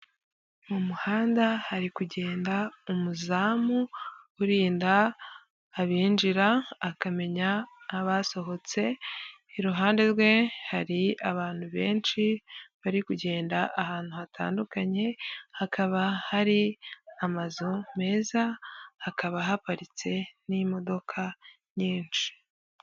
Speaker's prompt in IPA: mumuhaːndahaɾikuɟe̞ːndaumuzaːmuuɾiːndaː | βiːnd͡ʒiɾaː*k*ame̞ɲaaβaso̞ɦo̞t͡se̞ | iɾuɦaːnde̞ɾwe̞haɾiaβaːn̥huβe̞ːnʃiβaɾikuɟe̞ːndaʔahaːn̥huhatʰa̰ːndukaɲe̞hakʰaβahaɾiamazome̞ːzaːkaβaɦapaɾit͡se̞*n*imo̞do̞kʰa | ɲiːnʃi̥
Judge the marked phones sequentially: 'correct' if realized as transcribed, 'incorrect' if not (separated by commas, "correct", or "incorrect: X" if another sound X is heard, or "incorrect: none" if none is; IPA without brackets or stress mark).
correct, correct